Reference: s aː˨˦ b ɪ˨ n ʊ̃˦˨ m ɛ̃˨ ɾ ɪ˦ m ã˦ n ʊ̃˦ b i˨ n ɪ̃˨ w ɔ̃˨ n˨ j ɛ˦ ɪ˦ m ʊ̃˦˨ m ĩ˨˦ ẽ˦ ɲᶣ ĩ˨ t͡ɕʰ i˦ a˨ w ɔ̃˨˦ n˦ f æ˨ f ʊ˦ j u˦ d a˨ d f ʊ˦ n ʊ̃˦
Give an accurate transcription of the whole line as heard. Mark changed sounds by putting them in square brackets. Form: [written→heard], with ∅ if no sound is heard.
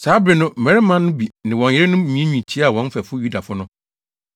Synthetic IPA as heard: s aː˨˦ b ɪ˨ n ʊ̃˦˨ m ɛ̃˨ ɾ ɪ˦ m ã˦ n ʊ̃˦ b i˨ n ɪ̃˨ w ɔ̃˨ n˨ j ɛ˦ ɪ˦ [m→n] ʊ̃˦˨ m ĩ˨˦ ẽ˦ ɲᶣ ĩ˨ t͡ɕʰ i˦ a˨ w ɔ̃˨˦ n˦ f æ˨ f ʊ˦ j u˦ d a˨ [d→∅] f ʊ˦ n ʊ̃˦